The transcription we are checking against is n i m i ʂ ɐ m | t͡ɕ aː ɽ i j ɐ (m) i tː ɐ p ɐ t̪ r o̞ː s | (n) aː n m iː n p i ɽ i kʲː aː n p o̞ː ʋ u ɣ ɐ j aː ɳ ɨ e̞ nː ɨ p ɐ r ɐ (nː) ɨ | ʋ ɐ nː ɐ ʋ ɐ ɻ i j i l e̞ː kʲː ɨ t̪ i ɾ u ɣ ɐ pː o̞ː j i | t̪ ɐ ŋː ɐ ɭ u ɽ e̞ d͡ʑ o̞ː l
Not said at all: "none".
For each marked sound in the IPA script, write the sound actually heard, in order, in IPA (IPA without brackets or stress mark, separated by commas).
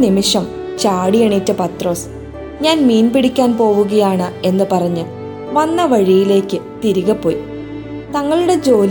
ɳ, ɲ, ɲː